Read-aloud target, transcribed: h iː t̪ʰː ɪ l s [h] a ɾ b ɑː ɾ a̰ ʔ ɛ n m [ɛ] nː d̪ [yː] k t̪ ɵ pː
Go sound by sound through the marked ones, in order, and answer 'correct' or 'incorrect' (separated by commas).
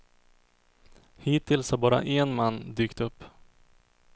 correct, incorrect, correct